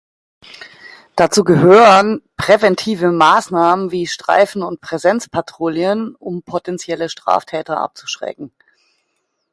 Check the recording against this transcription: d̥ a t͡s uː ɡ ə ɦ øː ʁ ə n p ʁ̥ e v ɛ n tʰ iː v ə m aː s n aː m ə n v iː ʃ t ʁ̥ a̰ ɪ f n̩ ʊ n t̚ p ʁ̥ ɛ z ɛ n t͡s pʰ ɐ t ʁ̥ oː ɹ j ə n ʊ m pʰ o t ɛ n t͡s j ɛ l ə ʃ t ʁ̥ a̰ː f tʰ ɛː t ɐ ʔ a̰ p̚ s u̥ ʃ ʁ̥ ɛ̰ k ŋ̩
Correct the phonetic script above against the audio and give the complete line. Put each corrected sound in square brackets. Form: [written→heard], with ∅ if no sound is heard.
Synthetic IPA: d̥ a t͡s uː ɡ ə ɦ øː ʁ ə n p ʁ̥ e v ɛ n tʰ iː v ə m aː s n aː m ə n v iː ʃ t ʁ̥ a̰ ɪ f n̩ ʊ n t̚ p ʁ̥ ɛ z ɛ n t͡s pʰ [ɐ→a] t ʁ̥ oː [ɹ→l] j ə n ʊ m pʰ o t ɛ n t͡s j ɛ l ə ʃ t ʁ̥ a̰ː f tʰ ɛː t ɐ ʔ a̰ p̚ [s→t͡s] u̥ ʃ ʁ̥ ɛ̰ k ŋ̩